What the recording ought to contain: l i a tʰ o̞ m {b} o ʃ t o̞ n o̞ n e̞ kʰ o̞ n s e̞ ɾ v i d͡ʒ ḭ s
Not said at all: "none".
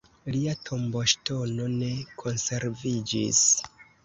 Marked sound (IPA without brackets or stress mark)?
b